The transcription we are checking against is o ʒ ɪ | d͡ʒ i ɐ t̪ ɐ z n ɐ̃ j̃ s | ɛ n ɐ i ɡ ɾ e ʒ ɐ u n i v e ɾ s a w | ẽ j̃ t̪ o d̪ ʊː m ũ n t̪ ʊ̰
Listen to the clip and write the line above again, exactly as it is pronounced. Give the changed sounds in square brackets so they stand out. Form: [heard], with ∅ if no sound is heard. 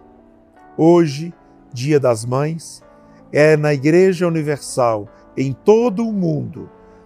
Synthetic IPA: o ʒ ɪ | d͡ʒ i ɐ [d̪] ɐ z [m] ɐ̃ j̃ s | ɛ n ɐ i ɡ ɾ e ʒ ɐ u n i v e ɾ s a w | ẽ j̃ t̪ o d̪ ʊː m ũ n [d̪] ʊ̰